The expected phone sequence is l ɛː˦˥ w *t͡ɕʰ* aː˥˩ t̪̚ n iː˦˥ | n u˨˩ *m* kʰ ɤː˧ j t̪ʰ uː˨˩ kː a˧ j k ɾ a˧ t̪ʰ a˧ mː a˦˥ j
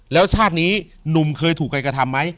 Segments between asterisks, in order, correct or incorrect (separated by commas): correct, correct